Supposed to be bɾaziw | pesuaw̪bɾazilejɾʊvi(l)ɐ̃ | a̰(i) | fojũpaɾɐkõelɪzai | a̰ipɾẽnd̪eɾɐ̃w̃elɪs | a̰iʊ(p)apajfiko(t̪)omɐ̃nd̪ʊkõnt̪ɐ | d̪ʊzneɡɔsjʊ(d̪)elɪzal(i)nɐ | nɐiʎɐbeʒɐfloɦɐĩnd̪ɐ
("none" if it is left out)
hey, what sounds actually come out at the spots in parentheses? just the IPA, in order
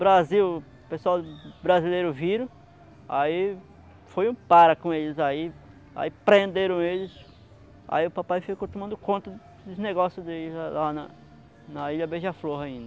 ɾ, i, p, t̪, d̪, a

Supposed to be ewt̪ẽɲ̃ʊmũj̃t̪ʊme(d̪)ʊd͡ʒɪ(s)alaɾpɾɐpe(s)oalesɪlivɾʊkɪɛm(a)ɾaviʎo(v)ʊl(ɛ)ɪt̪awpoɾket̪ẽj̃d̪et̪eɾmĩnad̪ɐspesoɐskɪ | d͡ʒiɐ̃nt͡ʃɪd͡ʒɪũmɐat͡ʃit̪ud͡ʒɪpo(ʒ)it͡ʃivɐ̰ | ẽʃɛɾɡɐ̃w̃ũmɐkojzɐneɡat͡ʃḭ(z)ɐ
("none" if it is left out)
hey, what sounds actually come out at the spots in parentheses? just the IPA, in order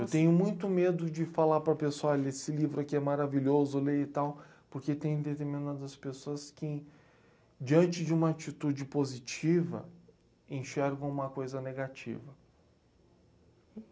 d̪, f, s, a, z, e, z, v

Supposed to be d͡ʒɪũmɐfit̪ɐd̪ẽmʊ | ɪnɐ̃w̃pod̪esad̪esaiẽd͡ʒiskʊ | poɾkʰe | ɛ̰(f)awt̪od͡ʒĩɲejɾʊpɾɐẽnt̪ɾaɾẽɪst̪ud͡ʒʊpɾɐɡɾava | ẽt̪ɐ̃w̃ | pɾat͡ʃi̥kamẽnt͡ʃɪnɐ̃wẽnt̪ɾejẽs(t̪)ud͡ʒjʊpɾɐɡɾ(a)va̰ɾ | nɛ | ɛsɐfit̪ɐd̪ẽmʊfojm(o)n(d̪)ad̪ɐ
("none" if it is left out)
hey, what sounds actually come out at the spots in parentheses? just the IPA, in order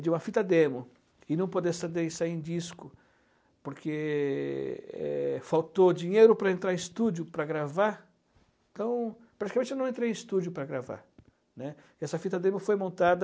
f, t̪, a, õ, t̪

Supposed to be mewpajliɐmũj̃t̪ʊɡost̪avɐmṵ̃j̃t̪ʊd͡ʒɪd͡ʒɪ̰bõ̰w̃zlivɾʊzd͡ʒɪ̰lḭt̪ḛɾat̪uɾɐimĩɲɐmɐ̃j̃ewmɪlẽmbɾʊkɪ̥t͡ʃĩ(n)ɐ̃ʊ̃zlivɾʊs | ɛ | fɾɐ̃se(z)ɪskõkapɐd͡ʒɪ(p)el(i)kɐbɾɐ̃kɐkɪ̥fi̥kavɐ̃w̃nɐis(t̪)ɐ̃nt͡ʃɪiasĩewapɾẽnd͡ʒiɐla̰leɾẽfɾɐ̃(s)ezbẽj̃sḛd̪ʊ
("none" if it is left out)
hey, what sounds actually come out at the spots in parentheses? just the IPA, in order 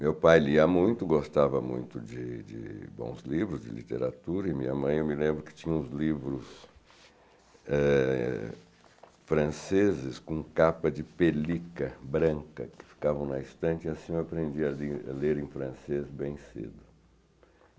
ɲ, z, p, i, t̪, s

